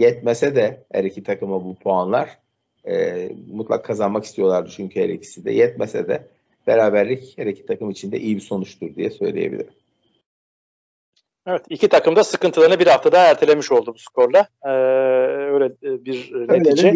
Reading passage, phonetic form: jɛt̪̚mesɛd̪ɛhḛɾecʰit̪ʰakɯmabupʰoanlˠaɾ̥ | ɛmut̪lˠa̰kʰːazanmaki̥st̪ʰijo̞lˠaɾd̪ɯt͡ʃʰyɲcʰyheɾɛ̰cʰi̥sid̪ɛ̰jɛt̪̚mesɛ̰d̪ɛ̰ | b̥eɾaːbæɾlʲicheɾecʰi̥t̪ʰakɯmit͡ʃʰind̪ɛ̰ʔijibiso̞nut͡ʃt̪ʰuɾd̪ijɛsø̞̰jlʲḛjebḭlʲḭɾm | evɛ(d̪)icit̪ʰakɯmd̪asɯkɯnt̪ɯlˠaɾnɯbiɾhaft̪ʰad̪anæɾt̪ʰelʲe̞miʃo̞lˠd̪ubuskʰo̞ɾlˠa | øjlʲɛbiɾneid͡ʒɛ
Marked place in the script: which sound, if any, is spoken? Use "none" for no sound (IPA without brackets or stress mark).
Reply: t̪